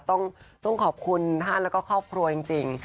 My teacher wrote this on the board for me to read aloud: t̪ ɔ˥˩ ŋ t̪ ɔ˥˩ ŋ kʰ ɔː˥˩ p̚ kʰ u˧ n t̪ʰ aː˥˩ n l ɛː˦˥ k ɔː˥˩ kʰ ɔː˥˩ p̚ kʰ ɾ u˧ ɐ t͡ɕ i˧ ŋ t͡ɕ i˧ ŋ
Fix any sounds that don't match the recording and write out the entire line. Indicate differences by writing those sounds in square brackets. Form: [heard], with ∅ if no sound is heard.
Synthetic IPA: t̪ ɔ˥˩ ŋ t̪ ɔ˥˩ ŋ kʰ [ɔː˨˩] p̚ kʰ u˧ n t̪ʰ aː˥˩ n l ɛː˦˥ k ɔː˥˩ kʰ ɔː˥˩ p̚ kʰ ɾ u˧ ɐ t͡ɕ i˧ ŋ t͡ɕ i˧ ŋ